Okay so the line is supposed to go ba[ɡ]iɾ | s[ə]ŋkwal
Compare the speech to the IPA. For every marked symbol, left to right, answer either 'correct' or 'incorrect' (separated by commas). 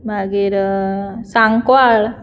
correct, incorrect